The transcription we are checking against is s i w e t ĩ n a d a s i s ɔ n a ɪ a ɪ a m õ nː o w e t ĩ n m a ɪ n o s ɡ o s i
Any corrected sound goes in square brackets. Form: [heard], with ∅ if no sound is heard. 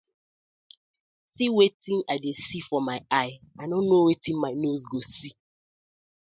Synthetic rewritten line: s i w e t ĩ n a d [e] s i [f] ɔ [m] a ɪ a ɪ a [n] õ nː o w e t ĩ n m a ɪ n o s ɡ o s i